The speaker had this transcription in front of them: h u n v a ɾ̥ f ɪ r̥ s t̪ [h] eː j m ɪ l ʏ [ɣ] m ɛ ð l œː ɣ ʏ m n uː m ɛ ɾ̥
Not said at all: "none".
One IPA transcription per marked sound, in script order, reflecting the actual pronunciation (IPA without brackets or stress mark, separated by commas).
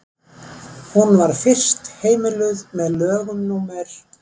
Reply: h, ð